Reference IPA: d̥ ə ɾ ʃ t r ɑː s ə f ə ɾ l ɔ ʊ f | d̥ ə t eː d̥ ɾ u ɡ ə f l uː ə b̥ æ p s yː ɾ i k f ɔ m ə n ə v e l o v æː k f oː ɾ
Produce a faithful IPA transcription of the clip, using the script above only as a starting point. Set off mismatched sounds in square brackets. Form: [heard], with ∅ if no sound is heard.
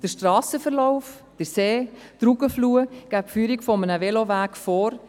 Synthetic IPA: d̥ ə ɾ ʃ t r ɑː s ə f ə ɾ l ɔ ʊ f | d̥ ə [s] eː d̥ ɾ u ɡ ə f l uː ə [ɡ̥] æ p [f] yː ɾ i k f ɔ m ə n ə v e l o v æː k f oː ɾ